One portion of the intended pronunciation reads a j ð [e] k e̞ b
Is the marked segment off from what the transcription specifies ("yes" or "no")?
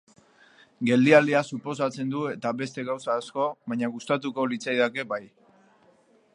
yes